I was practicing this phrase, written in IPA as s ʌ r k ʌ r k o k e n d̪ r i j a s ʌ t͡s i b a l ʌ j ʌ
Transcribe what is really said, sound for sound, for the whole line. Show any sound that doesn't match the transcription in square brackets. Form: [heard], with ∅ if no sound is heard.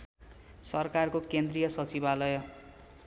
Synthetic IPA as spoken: s ʌ r k [a] r k o k e n d̪ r i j [ʌ] s ʌ t͡s i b a l ʌ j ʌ